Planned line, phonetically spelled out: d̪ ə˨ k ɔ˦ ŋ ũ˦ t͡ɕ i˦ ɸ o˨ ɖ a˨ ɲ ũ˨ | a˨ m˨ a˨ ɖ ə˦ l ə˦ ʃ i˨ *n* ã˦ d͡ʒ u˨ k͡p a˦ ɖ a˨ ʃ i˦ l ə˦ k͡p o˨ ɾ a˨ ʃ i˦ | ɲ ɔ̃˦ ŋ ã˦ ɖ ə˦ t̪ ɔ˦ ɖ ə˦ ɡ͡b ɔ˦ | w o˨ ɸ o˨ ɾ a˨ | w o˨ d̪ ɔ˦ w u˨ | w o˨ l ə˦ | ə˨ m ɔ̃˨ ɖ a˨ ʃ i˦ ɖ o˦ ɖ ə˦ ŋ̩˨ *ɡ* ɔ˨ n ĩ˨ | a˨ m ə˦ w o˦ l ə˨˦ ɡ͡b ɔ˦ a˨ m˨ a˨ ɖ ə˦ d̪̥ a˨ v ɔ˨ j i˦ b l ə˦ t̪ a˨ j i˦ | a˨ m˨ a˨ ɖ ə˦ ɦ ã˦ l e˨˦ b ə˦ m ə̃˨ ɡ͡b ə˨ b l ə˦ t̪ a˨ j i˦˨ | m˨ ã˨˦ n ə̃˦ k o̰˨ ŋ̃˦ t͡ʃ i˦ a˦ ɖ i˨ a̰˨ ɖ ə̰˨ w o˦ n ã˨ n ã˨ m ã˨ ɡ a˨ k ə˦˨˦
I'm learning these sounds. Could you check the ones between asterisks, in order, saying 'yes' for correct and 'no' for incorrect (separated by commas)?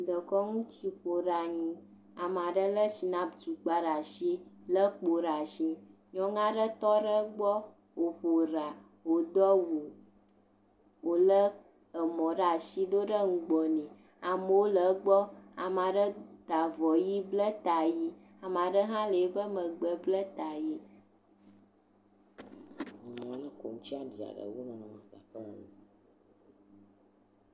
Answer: yes, no